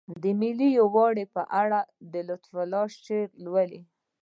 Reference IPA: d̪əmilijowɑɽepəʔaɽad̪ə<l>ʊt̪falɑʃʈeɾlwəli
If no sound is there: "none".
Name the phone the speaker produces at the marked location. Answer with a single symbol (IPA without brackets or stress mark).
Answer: l